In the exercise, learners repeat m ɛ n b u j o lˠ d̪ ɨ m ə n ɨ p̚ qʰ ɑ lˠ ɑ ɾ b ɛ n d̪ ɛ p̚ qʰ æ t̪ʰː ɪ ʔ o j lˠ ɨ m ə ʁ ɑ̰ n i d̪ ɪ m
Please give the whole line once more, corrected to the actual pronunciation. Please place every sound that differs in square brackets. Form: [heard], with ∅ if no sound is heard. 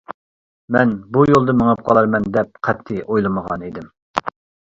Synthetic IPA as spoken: m ɛ n b u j o lˠ d̪ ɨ m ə [ŋ] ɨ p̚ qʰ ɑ lˠ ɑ ɾ [m] ɛ n d̪ ɛ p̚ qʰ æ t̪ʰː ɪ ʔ o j lˠ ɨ m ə ʁ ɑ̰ n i d̪ ɪ m